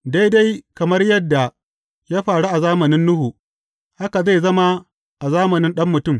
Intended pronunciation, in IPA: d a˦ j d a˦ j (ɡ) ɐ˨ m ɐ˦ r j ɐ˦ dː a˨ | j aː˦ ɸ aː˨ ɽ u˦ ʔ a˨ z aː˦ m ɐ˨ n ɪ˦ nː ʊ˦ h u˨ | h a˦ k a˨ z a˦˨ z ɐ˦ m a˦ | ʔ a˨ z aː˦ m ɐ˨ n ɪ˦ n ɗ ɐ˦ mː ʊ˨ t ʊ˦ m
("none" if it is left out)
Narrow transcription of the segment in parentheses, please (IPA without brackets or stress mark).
k